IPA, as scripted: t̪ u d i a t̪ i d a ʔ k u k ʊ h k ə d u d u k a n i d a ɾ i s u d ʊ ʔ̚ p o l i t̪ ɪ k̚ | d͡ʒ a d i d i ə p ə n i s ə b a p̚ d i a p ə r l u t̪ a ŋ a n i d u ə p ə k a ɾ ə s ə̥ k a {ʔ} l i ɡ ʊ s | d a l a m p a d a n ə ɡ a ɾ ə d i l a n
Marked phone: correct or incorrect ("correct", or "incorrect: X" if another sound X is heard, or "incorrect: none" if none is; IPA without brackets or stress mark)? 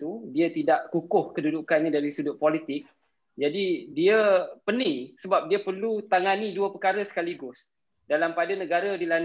incorrect: none